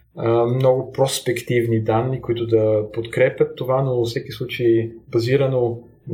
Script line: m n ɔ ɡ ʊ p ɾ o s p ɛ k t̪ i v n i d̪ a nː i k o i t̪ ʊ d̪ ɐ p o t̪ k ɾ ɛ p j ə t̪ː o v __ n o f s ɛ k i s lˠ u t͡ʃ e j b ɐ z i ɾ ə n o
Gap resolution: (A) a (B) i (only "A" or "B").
A